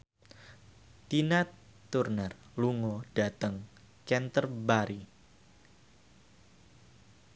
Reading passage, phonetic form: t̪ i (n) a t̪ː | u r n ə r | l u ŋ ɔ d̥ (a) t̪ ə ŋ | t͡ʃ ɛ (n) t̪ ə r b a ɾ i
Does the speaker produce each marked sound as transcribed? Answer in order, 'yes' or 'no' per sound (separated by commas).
yes, yes, yes